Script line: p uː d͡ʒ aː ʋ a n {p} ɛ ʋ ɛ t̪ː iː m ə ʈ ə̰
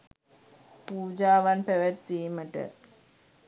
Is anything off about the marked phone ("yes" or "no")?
no